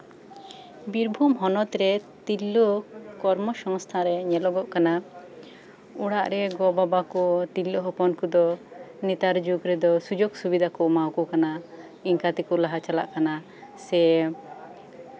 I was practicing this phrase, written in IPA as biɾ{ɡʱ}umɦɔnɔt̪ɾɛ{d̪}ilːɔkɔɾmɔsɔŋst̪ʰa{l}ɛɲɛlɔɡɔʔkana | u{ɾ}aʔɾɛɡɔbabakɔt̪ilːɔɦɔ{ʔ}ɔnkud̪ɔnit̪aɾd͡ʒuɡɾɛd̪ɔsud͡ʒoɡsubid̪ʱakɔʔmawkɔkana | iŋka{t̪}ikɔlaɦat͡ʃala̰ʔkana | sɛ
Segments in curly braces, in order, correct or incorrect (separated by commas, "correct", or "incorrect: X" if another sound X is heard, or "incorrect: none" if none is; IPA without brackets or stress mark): incorrect: bʱ, incorrect: t̪, incorrect: ɾ, incorrect: ɽ, incorrect: p, correct